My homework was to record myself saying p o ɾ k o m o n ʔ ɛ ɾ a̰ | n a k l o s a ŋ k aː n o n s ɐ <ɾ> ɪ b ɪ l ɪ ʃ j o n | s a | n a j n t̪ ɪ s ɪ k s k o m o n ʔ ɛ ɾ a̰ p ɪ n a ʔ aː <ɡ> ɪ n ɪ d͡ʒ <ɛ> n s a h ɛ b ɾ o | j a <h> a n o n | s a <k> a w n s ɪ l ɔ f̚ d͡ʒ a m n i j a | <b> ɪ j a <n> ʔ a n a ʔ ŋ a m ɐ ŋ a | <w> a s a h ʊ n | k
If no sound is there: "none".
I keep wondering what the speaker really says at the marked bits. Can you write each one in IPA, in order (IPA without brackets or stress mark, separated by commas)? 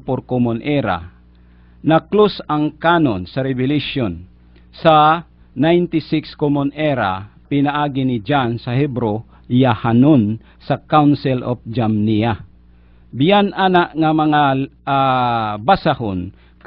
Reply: ɾ, ɡ, a, h, k, b, n, b